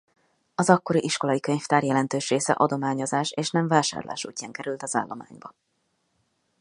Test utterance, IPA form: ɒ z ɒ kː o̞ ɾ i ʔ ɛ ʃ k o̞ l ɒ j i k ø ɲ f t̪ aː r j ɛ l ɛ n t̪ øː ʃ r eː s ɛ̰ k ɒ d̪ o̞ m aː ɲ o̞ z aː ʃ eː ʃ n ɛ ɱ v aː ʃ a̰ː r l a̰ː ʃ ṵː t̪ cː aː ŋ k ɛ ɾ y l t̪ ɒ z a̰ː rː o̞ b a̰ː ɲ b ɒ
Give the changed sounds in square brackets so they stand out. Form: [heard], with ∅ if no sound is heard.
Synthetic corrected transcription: ɒ z ɒ kː o̞ ɾ i ʔ [i] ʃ k o̞ l ɒ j i k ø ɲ f t̪ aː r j ɛ l ɛ n t̪ øː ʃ r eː s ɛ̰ [ʔ] ɒ d̪ o̞ m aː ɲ o̞ z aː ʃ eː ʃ n ɛ ɱ v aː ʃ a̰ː r l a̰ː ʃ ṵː [∅] cː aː ŋ k ɛ ɾ y l t̪ ɒ z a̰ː [lː] o̞ [m] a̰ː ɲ b ɒ